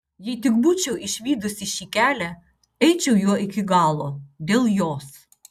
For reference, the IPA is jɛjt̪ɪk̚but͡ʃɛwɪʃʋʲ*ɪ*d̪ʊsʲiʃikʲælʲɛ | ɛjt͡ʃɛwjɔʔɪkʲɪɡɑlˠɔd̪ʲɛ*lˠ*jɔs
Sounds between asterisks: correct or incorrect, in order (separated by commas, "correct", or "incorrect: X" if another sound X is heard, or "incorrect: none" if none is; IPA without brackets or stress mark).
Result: incorrect: i, correct